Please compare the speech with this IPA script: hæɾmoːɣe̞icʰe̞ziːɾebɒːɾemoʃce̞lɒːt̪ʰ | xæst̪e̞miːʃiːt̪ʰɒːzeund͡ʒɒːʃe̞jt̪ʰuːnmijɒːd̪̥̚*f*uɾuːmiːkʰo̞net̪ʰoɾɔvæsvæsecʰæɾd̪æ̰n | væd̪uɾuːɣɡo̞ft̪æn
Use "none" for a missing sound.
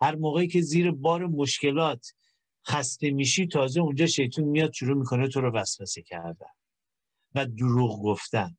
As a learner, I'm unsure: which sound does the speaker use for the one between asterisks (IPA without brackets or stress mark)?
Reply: ʃ